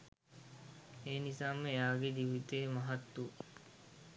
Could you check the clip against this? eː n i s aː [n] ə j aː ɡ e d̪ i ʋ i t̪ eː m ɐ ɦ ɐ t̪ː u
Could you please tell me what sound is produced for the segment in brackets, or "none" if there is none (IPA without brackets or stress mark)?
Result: m